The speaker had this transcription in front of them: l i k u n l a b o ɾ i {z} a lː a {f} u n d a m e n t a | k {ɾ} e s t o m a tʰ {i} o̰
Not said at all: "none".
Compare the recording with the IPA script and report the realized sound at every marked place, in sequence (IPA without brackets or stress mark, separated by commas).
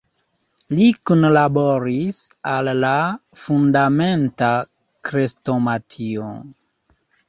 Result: s, f, ɾ, i